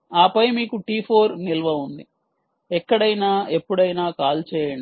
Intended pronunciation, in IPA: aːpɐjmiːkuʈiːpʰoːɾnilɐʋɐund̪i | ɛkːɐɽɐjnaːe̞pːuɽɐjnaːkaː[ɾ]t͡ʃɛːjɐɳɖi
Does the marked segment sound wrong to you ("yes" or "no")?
yes